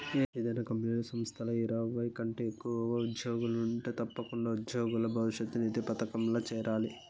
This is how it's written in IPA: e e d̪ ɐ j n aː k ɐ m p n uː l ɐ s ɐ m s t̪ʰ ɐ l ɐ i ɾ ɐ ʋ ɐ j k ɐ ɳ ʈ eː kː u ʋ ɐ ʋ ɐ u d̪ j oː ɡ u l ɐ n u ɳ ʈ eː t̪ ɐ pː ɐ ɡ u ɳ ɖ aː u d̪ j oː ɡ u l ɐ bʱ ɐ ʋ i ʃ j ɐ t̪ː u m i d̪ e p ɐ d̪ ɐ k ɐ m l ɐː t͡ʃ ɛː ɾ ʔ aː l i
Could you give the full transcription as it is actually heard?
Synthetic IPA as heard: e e d̪ ɐ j n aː k ɐ m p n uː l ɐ s ɐ m s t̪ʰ ɐ l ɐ i ɾ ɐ ʋ ɐ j k ɐ ɳ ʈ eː kː u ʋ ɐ ʋ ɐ u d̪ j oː ɡ u l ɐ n u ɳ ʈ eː t̪ ɐ pː ɐ k u ɳ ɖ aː u d̪ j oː ɡ u l ɐ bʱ ɐ ʋ i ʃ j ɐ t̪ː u n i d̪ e p ɐ t̪ ɐ k ɐ m l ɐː t͡ʃ ɛː ɾ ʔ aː l i